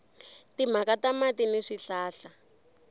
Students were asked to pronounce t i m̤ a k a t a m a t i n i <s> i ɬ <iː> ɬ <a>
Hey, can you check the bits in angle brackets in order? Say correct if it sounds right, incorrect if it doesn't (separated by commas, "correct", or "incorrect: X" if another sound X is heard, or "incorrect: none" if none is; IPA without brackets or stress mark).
incorrect: ʂ, incorrect: aː, correct